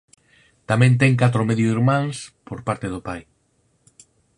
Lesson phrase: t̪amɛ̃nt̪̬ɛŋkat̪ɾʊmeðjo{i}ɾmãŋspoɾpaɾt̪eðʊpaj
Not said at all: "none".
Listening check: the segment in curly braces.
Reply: i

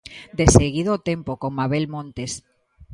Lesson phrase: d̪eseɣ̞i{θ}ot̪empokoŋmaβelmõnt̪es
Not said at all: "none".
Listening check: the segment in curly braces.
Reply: ð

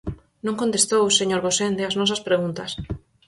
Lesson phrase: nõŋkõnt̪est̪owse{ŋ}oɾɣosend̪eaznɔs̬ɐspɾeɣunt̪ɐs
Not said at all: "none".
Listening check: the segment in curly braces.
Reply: ɲ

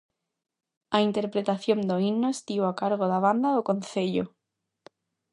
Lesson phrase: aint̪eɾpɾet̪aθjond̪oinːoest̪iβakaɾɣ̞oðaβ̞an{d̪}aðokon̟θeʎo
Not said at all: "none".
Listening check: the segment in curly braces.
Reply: d̪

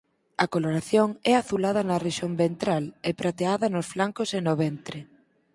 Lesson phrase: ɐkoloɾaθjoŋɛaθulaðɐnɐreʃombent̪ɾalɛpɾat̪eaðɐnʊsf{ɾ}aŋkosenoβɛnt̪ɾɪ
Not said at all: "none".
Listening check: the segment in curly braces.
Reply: l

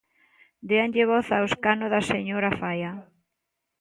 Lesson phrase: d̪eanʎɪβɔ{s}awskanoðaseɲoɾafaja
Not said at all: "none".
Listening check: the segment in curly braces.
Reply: θ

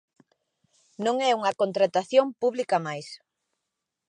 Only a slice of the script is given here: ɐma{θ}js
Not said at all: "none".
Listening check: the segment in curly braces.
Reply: none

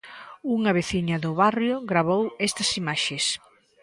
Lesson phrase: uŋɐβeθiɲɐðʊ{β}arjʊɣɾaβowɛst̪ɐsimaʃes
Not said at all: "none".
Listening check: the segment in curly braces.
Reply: β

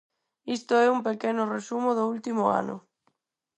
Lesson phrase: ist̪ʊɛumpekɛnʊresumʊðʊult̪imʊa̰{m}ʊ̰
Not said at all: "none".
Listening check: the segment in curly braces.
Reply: n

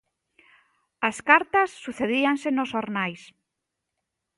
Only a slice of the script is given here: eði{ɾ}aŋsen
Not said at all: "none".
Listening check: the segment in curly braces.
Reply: none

